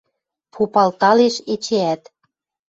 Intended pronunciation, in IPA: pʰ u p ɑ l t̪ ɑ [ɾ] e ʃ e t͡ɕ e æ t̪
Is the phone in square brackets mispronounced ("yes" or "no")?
yes